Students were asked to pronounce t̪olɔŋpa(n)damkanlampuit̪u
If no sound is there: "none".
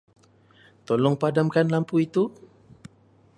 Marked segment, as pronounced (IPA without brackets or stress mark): none